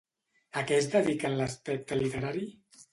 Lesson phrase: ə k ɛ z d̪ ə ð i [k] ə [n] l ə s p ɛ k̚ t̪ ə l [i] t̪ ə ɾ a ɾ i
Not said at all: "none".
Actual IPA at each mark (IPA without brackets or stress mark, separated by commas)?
k, n, i